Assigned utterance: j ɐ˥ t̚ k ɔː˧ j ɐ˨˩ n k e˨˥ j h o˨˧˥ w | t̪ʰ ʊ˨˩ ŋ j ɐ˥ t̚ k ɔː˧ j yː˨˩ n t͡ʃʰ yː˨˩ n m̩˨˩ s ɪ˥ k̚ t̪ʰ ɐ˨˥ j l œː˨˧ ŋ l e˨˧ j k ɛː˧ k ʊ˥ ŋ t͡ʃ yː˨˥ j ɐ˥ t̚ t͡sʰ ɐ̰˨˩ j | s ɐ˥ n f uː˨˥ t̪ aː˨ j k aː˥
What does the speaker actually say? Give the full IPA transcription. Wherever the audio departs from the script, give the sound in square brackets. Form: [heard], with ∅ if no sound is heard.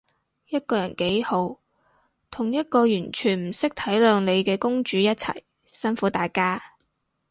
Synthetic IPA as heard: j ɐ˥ t̚ k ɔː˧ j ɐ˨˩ n k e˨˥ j h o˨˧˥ w | t̪ʰ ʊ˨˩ ŋ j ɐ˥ t̚ k ɔː˧ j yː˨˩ n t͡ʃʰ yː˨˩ n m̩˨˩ s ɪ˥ k̚ t̪ʰ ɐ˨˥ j l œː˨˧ ŋ l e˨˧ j k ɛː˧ k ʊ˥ ŋ t͡ʃ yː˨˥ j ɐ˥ t̚ t͡sʰ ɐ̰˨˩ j | s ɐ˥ n f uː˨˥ t̪ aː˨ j k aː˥